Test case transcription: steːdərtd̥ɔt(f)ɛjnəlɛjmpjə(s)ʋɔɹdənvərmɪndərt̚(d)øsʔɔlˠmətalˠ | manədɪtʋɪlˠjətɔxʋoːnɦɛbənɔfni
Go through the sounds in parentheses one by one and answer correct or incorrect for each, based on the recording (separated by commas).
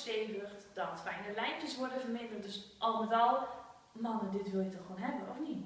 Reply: correct, correct, correct